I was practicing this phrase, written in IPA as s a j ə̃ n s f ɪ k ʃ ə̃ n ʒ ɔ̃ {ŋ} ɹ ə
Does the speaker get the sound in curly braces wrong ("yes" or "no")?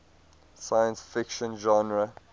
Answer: yes